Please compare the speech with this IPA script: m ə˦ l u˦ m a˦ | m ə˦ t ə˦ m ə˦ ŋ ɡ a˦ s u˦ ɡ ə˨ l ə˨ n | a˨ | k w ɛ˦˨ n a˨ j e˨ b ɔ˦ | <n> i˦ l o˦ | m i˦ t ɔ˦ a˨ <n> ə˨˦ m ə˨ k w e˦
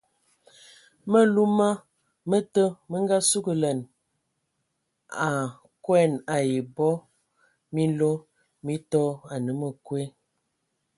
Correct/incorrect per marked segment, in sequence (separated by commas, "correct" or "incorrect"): incorrect, correct